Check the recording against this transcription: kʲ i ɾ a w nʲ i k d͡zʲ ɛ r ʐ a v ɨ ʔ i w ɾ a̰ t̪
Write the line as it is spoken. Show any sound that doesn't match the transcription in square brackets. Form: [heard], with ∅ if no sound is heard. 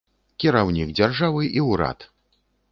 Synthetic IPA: kʲ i ɾ a w nʲ i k d͡zʲ [a] r ʐ a v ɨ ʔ i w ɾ a̰ t̪